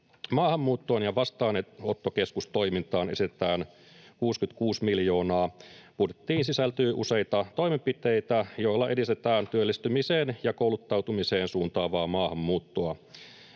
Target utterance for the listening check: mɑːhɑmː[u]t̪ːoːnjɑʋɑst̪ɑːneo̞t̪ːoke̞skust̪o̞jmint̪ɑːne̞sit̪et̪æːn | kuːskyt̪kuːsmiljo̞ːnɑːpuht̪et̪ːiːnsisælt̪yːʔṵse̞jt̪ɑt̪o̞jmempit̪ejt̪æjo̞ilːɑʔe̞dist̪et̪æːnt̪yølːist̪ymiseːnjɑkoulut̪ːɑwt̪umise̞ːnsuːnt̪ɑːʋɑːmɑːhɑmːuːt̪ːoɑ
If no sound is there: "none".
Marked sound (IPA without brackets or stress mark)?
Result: uː